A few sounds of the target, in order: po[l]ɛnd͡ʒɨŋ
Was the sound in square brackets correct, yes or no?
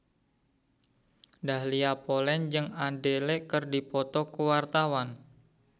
yes